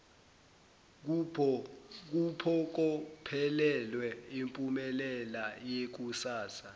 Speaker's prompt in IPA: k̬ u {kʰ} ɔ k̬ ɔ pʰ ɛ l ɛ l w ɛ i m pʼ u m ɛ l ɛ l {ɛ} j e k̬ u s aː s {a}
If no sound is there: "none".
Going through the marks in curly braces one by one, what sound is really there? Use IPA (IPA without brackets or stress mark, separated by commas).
pʰ, a, a